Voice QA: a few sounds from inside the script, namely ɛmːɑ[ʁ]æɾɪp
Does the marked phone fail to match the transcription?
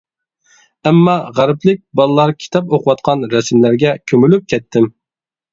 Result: no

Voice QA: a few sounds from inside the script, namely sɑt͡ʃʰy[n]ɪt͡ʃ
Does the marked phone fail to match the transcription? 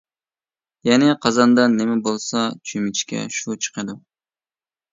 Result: yes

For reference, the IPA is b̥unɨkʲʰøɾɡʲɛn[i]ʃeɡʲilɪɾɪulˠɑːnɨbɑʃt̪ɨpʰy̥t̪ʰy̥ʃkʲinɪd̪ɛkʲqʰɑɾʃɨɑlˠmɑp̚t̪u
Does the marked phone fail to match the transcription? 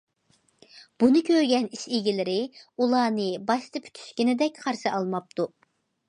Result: no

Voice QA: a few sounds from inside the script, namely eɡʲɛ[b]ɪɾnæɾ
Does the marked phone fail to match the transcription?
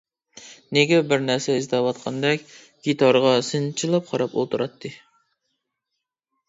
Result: no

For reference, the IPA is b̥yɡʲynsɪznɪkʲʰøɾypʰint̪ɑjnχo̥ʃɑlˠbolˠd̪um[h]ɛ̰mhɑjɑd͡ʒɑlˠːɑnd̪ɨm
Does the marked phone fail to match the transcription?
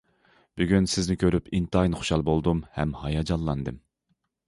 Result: no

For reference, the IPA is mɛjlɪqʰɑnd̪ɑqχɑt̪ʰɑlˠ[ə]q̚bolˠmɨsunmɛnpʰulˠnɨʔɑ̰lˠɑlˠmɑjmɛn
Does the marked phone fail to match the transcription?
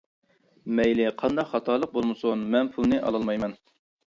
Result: no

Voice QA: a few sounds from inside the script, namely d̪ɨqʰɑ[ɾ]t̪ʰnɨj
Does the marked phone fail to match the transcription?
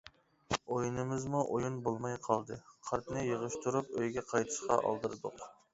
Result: no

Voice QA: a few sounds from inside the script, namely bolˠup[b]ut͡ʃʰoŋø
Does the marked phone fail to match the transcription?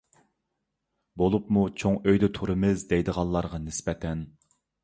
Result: yes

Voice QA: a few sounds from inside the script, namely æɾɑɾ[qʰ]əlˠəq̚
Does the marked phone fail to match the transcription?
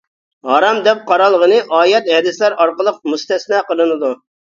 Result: yes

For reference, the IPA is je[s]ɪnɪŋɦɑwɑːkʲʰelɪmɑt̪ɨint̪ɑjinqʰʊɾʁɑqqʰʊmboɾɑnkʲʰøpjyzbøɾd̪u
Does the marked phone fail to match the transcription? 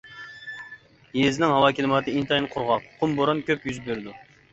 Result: yes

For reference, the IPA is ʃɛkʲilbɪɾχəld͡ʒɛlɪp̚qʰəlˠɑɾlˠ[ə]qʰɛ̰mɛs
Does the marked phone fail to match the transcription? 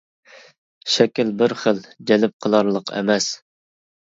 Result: no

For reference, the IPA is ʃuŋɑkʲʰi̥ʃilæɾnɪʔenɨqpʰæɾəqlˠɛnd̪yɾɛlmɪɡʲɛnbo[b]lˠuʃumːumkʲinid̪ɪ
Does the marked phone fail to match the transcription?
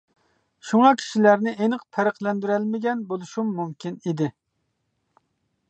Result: yes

